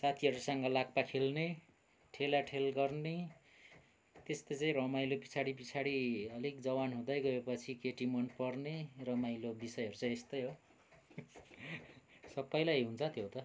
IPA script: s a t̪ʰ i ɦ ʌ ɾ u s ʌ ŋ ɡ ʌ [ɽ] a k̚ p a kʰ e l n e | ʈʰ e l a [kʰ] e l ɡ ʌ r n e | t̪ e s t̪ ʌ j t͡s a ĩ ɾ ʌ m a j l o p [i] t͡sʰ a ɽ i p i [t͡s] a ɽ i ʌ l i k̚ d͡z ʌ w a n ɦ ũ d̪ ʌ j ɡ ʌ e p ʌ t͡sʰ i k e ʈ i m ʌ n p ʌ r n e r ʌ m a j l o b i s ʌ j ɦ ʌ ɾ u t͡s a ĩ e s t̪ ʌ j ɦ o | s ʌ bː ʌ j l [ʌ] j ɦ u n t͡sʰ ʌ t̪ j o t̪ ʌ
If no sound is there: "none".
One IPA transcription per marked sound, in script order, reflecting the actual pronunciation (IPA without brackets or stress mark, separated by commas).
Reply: l, ʈʰ, i, t͡sʰ, a